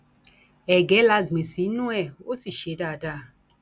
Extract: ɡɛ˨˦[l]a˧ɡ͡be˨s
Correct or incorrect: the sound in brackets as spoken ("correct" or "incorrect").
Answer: correct